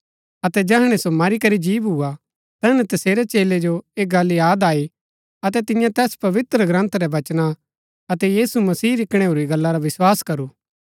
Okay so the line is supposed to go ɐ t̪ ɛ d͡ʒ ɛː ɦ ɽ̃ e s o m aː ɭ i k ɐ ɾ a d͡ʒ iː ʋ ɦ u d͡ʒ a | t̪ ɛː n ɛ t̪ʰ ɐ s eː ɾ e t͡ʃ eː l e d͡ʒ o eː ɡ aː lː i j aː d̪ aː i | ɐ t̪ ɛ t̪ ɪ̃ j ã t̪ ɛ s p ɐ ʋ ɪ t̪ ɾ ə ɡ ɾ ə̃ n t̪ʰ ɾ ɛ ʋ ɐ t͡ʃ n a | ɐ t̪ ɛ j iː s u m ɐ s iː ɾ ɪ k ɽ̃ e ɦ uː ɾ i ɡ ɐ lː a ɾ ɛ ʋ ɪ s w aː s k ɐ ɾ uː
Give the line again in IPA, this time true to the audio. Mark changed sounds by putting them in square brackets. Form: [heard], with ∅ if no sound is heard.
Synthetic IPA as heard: ɐ t̪ ɛ d͡ʒ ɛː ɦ ɽ̃ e s o m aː [ɾ] i k ɐ ɾ [i] d͡ʒ iː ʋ ɦ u [∅] a | t̪ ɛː n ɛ [t̪] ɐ s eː ɾ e t͡ʃ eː l e d͡ʒ o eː ɡ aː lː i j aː d̪ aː i | ɐ t̪ ɛ t̪ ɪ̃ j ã t̪ [ɛː] s p ɐ ʋ ɪ t̪ ɾ ə ɡ ɾ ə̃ n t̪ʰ ɾ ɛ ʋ ɐ t͡ʃ n a | ɐ t̪ ɛ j iː s u m ɐ s iː ɾ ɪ k ɽ̃ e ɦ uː ɾ i ɡ ɐ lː a ɾ [a] ʋ ɪ s w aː s k ɐ ɾ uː